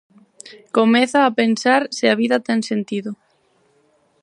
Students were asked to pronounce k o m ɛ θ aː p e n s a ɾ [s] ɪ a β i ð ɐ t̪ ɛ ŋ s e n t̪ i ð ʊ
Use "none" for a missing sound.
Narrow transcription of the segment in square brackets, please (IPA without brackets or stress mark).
s